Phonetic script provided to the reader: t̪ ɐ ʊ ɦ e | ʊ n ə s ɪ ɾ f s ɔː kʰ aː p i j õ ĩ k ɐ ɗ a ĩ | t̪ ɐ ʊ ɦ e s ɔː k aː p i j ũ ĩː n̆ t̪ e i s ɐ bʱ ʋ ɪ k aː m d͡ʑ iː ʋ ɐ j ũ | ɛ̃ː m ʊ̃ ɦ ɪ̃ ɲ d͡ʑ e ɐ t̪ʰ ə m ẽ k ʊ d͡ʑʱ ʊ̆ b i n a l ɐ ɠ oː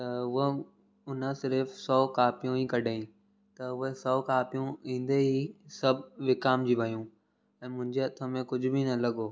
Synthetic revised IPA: t̪ ɐ ʊ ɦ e | ʊ n ə s ɪ ɾ f s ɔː k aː p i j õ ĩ k ɐ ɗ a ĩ | t̪ ɐ ʊ ɦ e s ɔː k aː p i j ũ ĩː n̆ d̪ e i s ɐ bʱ ʋ ɪ k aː m d͡ʑ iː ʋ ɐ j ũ | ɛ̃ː m ʊ̃ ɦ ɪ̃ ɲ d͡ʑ e ɐ t̪ʰ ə m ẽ k ʊ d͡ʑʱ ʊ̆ b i n ɐ l ɐ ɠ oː